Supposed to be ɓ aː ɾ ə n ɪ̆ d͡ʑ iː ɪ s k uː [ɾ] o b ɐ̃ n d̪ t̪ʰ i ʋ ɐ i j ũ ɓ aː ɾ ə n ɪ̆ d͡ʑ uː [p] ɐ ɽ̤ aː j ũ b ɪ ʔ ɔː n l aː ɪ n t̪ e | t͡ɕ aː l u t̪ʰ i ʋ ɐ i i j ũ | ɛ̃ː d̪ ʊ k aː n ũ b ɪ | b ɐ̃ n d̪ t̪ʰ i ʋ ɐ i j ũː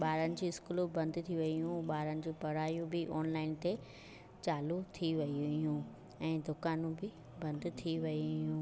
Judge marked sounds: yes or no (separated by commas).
no, yes